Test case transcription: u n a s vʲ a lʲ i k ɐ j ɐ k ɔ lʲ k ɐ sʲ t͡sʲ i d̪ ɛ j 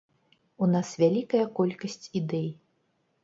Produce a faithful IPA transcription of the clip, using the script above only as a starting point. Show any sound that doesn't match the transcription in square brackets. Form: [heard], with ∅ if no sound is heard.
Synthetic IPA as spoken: u n a s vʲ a lʲ i k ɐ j ɐ k ɔ lʲ k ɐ sʲ t͡sʲ i d̪ ɛ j